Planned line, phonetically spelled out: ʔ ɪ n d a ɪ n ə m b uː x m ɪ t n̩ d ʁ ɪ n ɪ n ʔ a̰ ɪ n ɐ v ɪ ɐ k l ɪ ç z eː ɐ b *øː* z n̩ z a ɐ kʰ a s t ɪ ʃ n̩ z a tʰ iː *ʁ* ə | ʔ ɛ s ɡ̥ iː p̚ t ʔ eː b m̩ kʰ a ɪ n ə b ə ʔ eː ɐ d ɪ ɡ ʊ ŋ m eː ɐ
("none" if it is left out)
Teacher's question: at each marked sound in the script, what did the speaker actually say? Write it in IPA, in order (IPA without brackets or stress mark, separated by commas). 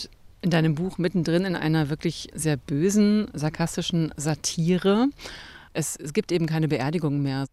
øː, ʁ